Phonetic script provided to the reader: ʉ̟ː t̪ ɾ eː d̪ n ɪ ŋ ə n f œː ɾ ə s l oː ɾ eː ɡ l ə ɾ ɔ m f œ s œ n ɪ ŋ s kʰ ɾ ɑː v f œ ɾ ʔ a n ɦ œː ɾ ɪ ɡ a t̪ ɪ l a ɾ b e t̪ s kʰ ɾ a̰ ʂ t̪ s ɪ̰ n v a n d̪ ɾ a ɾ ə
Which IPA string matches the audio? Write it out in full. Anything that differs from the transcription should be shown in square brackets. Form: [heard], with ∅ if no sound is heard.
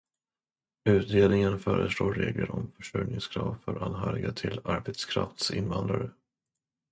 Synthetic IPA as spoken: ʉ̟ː t̪ ɾ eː d̪ n ɪ ŋ ə n f œː ɾ ə s l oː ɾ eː ɡ l ə ɾ ɔ m f œ [ʂ] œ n ɪ ŋ s kʰ ɾ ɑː v f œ ɾ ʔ a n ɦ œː ɾ ɪ ɡ a [t̪ʰ] ɪ l a ɾ b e t̪ s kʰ ɾ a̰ [f] t̪ s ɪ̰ n v a n d̪ ɾ a ɾ ə

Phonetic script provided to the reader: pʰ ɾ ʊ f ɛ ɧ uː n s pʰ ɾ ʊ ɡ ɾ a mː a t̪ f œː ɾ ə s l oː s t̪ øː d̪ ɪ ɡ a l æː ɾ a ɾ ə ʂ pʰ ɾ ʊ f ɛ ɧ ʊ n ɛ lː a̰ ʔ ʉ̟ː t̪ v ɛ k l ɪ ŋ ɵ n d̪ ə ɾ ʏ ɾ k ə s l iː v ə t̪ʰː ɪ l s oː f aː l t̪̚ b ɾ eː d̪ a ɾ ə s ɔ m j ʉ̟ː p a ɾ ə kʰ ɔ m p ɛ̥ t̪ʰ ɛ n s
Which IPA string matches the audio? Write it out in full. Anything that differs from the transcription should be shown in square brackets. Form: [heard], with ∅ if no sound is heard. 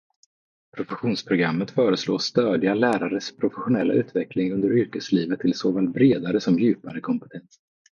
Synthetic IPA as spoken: pʰ ɾ ʊ f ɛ ɧ uː n s pʰ ɾ ʊ ɡ ɾ a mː [ə] t̪ f œː ɾ ə s l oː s t̪ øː d̪ ɪ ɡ a l æː ɾ a ɾ ə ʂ pʰ ɾ ʊ f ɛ ɧ ʊ n ɛ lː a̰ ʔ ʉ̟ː t̪ v ɛ k l ɪ ŋ ɵ n d̪ ə ɾ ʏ ɾ k ə s l iː v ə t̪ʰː ɪ l s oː f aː l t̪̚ b ɾ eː d̪ a ɾ ə s ɔ m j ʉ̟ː p a ɾ ə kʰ ɔ m p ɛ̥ t̪ʰ ɛ n s

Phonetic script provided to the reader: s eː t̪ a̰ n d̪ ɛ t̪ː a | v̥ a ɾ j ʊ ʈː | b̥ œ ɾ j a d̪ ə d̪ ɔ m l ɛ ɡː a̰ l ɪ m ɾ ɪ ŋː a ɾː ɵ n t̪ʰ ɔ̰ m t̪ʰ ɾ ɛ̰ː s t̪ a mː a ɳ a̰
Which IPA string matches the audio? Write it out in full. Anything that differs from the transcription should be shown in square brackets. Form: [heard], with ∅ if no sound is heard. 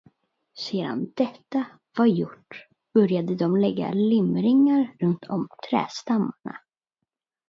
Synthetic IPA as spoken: s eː [d̪] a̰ n d̪ ɛ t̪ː a | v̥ a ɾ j ʊ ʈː | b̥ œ ɾ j a d̪ ə d̪ ɔ m l ɛ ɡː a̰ l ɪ m ɾ ɪ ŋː a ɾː ɵ n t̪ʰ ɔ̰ m t̪ʰ ɾ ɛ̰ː s t̪ a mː a ɳ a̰

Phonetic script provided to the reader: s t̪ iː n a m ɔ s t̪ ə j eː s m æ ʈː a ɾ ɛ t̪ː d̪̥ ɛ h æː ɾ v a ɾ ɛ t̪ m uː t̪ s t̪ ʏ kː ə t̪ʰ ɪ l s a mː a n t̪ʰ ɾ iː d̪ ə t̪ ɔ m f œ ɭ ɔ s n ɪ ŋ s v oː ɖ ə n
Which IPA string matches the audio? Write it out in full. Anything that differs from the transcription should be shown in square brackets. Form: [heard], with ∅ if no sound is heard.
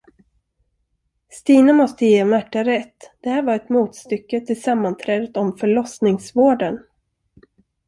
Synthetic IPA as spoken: s t̪ iː n a m ɔ s t̪ ə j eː [∅] m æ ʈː a ɾ ɛ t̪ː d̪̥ ɛ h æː ɾ v a ɾ ɛ t̪ m uː t̪ s t̪ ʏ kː ə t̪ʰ ɪ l s a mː a n t̪ʰ ɾ [ɛː] d̪ ə t̪ ɔ m f œ ɭ ɔ s n ɪ ŋ s v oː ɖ ə n

